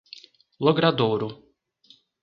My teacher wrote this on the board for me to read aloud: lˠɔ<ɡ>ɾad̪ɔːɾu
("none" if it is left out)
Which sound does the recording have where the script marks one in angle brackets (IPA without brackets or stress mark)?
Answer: ɡ